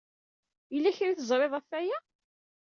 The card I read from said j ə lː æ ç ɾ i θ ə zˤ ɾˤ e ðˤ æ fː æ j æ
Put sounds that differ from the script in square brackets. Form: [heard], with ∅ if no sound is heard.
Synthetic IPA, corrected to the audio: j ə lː æ ç ɾ i θ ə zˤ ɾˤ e ðˤ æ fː æ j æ